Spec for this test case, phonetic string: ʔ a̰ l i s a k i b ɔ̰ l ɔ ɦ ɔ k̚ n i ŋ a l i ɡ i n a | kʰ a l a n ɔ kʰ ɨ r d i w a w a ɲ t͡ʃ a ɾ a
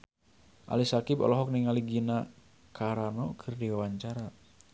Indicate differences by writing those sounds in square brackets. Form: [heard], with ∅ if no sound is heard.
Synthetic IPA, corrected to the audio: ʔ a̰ l i s a k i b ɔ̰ l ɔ ɦ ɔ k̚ n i ŋ a l i ɡ i n a | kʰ a [ɾ] a n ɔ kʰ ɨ r d i w a w a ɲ t͡ʃ a ɾ a